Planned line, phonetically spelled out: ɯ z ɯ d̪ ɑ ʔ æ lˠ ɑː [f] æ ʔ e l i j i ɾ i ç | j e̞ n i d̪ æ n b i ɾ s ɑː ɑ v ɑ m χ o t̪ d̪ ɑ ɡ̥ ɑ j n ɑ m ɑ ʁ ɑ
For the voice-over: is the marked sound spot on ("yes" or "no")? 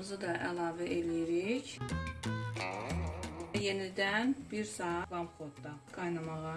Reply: no